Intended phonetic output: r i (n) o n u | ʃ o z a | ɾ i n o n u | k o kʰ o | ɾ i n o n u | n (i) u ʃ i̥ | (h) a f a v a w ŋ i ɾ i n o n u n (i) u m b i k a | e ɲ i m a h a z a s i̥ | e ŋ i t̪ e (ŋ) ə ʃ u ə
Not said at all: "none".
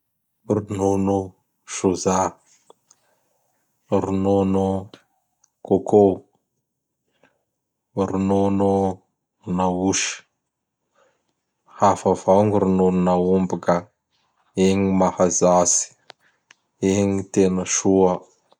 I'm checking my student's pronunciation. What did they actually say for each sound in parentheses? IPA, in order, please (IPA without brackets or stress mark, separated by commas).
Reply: n, a, h, a, n